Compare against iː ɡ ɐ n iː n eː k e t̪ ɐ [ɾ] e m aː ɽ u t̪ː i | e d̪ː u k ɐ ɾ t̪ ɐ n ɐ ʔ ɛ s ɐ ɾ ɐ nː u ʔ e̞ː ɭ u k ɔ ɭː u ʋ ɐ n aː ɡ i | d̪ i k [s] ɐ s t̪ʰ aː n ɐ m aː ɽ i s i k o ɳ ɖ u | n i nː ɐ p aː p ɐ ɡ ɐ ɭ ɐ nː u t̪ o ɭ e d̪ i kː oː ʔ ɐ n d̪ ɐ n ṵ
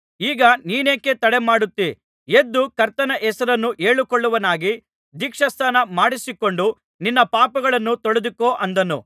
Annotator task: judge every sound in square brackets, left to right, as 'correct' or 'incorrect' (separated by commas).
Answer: incorrect, incorrect